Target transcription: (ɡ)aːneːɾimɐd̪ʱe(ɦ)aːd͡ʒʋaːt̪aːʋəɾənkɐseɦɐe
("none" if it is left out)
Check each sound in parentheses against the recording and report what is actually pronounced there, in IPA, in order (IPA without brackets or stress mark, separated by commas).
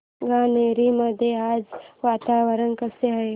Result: ɡ, none